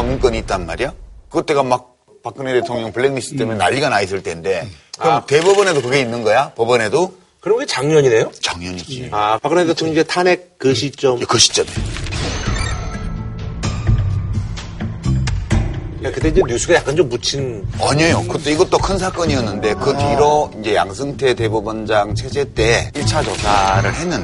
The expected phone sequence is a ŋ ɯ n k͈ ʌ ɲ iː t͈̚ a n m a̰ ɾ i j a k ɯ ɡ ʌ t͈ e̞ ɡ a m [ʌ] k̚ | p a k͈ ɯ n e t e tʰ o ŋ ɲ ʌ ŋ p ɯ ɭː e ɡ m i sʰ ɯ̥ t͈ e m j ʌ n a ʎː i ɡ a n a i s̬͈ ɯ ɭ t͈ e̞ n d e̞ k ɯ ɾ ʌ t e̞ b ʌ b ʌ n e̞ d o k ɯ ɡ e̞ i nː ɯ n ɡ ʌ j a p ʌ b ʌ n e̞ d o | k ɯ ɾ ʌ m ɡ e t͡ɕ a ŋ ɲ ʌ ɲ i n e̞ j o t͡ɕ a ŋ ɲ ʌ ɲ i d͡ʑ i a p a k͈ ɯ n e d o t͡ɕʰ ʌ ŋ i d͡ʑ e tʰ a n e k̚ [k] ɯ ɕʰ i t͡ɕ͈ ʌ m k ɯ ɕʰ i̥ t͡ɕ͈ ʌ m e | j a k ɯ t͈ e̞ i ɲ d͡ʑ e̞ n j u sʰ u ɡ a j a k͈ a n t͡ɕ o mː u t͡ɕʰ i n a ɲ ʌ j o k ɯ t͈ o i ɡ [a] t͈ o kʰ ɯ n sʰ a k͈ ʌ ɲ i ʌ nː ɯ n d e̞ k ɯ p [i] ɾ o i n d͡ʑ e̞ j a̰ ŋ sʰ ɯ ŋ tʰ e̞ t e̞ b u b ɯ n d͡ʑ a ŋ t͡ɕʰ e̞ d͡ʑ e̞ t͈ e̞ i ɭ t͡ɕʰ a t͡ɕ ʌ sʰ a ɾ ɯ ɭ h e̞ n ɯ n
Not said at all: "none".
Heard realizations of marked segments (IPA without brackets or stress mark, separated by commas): a, k, ʌ, i